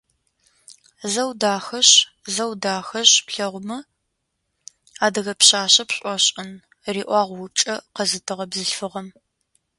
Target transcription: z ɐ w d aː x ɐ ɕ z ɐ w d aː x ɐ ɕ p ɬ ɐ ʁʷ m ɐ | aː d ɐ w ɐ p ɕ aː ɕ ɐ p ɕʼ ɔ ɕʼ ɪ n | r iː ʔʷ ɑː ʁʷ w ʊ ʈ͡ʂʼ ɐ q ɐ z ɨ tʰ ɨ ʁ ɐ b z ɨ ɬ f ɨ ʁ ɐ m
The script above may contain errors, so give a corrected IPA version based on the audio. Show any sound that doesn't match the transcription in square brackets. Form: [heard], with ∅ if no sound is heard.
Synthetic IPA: z ɐ w d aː x ɐ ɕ z ɐ w d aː x ɐ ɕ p ɬ ɐ ʁʷ m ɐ | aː d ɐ [ɣ] ɐ p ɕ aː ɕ ɐ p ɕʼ ɔ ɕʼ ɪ n | r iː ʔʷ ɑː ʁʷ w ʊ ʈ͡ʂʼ ɐ q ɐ z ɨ tʰ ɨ ʁ ɐ b z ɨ ɬ f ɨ ʁ ɐ m

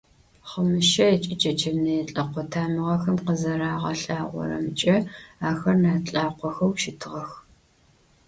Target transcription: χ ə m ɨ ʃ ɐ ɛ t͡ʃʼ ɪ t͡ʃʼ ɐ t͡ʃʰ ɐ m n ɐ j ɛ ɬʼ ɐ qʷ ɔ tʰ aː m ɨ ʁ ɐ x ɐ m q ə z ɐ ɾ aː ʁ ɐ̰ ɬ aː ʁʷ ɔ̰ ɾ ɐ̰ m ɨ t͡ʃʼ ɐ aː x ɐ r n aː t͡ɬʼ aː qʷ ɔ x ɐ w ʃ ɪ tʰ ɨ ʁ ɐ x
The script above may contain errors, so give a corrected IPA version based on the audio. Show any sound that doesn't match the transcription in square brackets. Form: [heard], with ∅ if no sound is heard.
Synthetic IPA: χ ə m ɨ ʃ ɐ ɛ t͡ʃʼ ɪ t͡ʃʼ ɐ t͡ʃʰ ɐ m n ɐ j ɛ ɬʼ ɐ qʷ ɔ tʰ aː m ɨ ʁ ɐ x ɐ m q ə z ɐ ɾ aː ʁ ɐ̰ ɬ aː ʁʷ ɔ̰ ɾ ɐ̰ m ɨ t͡ʃʼ ɐ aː x ɐ r n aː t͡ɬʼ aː qʷ ɔ x ɐ w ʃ ɪ tʰ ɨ ʁ ɐ x

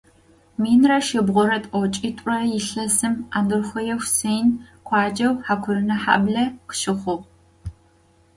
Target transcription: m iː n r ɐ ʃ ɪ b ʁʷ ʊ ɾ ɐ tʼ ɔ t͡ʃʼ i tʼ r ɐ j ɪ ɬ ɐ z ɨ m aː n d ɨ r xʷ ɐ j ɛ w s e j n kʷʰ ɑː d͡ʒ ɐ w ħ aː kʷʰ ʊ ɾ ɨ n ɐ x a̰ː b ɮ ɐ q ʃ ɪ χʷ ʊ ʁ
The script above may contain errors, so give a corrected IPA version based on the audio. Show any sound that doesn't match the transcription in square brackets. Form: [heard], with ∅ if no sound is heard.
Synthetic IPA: m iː n r ɐ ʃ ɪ b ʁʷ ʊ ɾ ɐ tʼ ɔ t͡ʃʼ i tʼ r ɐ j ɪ ɬ ɐ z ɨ m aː n d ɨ r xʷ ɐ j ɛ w s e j n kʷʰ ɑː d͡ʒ ɐ w ħ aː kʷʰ ʊ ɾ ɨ n ɐ [ħ] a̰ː b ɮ ɐ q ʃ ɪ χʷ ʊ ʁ

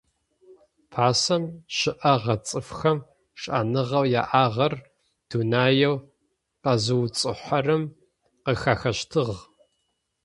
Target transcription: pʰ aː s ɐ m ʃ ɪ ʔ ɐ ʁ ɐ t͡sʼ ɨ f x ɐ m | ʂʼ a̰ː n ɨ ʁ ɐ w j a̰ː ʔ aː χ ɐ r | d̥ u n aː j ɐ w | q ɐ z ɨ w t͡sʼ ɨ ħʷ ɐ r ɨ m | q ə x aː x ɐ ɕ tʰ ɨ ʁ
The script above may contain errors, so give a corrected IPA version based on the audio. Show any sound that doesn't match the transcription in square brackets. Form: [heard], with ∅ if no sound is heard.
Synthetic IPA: pʰ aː s ɐ m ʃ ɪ ʔ ɐ ʁ ɐ t͡sʼ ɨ f x ɐ m | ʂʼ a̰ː n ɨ ʁ ɐ w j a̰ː ʔ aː [ʁ] ɐ r | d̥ u n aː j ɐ w | q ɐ z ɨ w t͡sʼ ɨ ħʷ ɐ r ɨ m | q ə x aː x ɐ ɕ tʰ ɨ ʁ

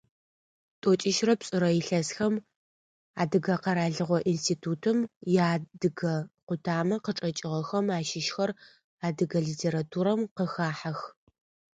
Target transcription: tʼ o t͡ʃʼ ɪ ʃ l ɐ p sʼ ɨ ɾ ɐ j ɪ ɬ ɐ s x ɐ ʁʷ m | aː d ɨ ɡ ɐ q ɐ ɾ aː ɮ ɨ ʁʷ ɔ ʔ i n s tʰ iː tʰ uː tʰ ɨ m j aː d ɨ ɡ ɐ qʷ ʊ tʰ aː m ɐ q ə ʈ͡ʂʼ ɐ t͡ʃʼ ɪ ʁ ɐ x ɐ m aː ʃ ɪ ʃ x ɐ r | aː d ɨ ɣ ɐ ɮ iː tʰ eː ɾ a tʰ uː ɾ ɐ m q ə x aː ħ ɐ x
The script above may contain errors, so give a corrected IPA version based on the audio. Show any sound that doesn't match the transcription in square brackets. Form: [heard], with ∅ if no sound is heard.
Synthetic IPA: tʼ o t͡ʃʼ ɪ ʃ [r] ɐ p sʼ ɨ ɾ ɐ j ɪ ɬ ɐ s x ɐ [∅] m | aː d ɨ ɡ ɐ q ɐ ɾ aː ɮ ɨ ʁʷ ɔ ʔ i n s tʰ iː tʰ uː tʰ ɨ m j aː d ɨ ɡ ɐ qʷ ʊ tʰ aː m ɐ q ə ʈ͡ʂʼ ɐ t͡ʃʼ ɪ ʁ ɐ x ɐ m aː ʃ ɪ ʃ x ɐ r | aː d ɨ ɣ ɐ ɮ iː tʰ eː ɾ a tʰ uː ɾ ɐ m q ə x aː ħ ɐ x

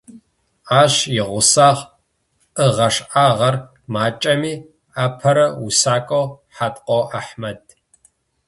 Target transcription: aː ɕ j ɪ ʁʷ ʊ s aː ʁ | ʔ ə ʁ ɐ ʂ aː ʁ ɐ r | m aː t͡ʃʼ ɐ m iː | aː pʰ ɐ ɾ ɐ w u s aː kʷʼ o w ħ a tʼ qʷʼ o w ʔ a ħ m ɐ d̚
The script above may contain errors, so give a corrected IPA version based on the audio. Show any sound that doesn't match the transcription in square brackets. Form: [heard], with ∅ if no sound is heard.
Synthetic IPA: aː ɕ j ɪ ʁʷ ʊ s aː ʁ | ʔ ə ʁ ɐ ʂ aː ʁ ɐ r | m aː t͡ʃʼ ɐ m iː | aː pʰ ɐ ɾ ɐ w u s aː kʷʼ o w ħ a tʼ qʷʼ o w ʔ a ħ m ɐ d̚

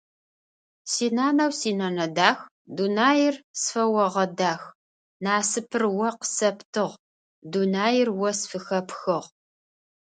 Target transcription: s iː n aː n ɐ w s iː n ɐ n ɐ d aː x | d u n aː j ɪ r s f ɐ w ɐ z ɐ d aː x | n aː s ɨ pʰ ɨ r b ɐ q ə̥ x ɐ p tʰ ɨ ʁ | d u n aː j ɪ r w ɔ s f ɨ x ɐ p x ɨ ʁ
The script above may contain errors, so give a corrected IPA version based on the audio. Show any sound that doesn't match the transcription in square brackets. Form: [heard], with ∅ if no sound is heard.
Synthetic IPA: s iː n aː n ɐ w s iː n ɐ n ɐ d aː x | d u n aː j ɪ r s f ɐ w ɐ [ʁ] ɐ d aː x | n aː s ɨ pʰ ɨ r [w] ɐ q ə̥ [s] ɐ p tʰ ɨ ʁ | d u n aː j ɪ r w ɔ s f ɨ x ɐ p x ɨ ʁ

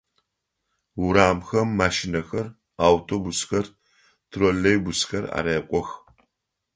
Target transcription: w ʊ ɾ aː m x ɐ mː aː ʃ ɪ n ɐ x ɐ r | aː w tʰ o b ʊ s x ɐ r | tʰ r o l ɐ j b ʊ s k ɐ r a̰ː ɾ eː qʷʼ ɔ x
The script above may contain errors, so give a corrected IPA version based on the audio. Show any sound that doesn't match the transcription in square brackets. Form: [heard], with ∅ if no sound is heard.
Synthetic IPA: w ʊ ɾ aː m x ɐ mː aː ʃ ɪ n ɐ x ɐ r | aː w tʰ o b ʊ s x ɐ r | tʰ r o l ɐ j b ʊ s [x] ɐ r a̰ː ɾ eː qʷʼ ɔ x

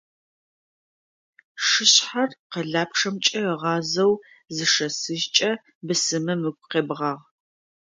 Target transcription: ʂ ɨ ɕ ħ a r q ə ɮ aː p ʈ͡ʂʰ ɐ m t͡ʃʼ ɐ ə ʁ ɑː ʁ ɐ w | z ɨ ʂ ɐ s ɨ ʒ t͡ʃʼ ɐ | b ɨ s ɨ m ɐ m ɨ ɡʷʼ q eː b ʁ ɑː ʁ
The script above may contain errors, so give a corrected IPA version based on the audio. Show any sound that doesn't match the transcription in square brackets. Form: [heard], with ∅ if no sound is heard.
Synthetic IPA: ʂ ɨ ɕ ħ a r q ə ɮ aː p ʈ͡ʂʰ ɐ m t͡ʃʼ ɐ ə ʁ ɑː [z] ɐ w | z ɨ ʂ ɐ s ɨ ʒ t͡ʃʼ ɐ | b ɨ s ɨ m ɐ m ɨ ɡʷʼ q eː b ʁ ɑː ʁ

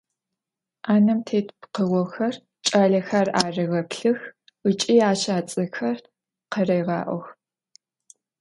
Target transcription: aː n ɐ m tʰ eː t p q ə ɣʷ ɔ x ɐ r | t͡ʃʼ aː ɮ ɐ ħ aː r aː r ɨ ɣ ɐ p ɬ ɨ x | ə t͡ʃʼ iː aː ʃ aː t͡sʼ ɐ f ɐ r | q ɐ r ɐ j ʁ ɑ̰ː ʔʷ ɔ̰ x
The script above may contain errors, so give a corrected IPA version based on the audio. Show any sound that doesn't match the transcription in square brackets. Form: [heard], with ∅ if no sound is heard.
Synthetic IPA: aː n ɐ m tʰ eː t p q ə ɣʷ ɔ x ɐ r | t͡ʃʼ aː ɮ ɐ [x] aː r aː r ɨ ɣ ɐ p ɬ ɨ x | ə t͡ʃʼ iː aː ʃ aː t͡sʼ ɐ [x] ɐ r | q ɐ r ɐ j ʁ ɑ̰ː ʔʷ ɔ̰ x

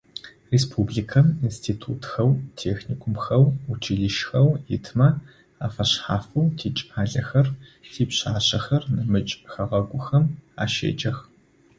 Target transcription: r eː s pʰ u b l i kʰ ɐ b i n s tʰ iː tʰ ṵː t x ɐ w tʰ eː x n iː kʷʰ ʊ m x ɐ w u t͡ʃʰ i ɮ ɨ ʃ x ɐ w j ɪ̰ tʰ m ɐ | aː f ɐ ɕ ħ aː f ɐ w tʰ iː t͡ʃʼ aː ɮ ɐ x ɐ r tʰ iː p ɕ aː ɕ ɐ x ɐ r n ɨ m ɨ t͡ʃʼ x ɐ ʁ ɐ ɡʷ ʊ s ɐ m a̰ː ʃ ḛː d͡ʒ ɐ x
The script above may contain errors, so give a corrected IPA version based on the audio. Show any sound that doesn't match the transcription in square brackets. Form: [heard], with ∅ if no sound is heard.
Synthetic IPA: r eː s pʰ u b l i kʰ ɐ [m] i n s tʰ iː tʰ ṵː t x ɐ w tʰ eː x n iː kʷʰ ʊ m x ɐ w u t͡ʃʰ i ɮ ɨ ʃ x ɐ w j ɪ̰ tʰ m ɐ | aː f ɐ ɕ ħ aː f ɐ w tʰ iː t͡ʃʼ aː ɮ ɐ x ɐ r tʰ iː p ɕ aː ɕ ɐ x ɐ r n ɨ m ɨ t͡ʃʼ x ɐ ʁ ɐ ɡʷ ʊ [x] ɐ m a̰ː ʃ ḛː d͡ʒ ɐ x

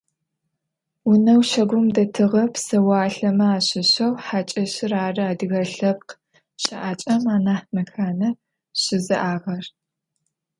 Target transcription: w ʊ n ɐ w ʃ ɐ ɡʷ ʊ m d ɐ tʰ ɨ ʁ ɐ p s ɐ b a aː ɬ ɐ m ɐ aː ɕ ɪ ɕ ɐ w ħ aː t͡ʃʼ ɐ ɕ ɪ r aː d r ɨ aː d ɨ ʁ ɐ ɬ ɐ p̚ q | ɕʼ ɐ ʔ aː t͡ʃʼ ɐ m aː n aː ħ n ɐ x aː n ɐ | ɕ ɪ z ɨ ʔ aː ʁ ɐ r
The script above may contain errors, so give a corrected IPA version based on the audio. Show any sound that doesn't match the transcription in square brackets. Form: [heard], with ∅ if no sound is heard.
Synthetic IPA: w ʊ n ɐ w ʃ ɐ ɡʷ ʊ m d ɐ tʰ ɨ ʁ ɐ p s ɐ [w] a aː ɬ ɐ m ɐ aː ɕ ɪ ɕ ɐ w ħ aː t͡ʃʼ ɐ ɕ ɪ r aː [∅] r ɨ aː d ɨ [ɣ] ɐ ɬ ɐ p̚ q | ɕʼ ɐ ʔ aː t͡ʃʼ ɐ m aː n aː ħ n ɐ x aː n ɐ | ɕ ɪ z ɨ ʔ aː ʁ ɐ r

